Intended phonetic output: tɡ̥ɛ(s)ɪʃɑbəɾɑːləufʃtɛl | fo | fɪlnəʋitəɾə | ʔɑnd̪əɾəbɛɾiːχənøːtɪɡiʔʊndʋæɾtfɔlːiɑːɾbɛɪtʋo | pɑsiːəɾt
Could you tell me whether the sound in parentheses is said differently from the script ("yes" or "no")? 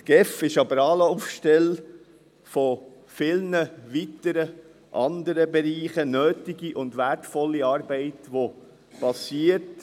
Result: yes